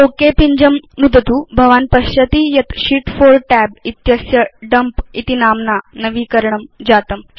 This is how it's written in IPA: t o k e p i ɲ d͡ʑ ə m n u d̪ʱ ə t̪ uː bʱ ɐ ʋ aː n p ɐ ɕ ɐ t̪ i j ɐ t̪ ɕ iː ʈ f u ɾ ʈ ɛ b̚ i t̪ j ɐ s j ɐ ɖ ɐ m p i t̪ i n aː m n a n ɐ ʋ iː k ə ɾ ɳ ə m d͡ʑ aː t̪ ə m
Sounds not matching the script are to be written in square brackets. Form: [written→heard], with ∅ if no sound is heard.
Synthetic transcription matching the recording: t o k e p i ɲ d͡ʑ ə m n u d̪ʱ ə t̪ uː bʱ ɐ ʋ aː n p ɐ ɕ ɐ t̪ i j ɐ t̪ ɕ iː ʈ f [u→o] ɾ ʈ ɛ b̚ i t̪ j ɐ s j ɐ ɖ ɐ m p i t̪ i n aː m n a n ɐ ʋ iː k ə ɾ ɳ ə m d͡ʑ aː t̪ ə m